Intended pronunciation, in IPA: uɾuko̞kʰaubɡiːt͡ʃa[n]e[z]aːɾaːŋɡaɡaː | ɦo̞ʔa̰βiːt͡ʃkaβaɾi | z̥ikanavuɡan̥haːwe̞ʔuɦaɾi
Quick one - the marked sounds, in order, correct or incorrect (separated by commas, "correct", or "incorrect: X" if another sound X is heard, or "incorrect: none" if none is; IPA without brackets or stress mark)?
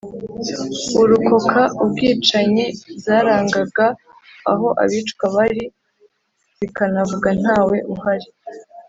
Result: incorrect: ɲ, correct